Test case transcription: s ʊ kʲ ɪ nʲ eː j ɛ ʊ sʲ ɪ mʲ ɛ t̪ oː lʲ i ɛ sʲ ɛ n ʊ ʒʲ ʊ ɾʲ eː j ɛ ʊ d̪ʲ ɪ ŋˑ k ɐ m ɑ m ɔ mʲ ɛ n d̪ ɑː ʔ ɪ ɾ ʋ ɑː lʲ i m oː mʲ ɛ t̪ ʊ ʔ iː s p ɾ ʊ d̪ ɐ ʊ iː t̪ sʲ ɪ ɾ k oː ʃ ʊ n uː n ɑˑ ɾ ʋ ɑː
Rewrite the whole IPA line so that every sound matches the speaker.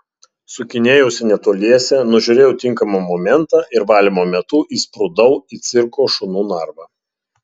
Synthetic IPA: s ʊ kʲ ɪ nʲ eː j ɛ ʊ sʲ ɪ nʲ ɛ t̪ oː lʲ i ɛ sʲ ɛ n ʊ ʒʲ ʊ ɾʲ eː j ɛ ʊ t̪ʲ ɪ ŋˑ k ɐ m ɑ m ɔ mʲ ɛ n t̪ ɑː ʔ ɪ ɾ ʋ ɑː lʲ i m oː mʲ ɛ t̪ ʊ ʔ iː s p ɾ ʊ d̪ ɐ ʊ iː t̪ sʲ ɪ ɾ k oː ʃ ʊ n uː n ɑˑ ɾ ʋ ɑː